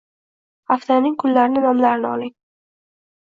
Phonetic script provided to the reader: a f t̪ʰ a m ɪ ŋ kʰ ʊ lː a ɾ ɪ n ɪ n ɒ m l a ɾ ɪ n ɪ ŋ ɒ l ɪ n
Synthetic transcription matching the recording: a f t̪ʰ a n ɪ ŋ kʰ ʊ lː a ɾ ɪ n ɪ n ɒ m l a ɾ ɪ n ɪ ɒ l ɪ ŋ